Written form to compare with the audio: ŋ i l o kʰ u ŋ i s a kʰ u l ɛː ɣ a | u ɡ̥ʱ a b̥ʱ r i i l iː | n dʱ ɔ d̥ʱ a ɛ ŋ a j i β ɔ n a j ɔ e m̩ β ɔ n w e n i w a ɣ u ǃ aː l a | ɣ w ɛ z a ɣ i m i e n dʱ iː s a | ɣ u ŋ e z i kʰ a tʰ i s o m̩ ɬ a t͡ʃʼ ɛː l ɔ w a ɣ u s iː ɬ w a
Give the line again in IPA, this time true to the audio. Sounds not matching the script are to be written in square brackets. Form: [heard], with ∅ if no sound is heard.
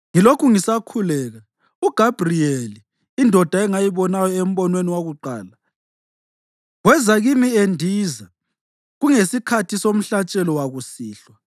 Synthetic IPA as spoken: ŋ i l o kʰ u ŋ i s a kʰ u l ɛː ɣ a | u ɡ̥ʱ a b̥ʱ r i [e] l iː | n dʱ ɔ d̥ʱ a ɛ ŋ a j i β ɔ n a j ɔ e m̩ β ɔ n w e n i w a ɣ u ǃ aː l a | ɣ w ɛ z a ɣ i m i e n dʱ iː [z] a | ɣ u ŋ e [s] i kʰ a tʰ i s o m̩ ɬ a t͡ʃʼ [ɛ] l ɔ w a ɣ u s iː ɬ w a